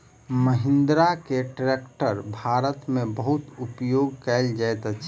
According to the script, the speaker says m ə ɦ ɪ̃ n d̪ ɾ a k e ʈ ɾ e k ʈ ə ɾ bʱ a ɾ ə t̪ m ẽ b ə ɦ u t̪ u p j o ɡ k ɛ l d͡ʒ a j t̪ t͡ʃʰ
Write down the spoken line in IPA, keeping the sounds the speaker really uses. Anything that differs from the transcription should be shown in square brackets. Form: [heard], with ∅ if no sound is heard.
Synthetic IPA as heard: m ə ɦ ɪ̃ n d̪ ɾ a k e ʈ ɾ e k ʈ ə ɾ bʱ a ɾ ə t̪ m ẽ b ə ɦ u t̪ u p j o ɡ k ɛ l d͡ʒ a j t̪ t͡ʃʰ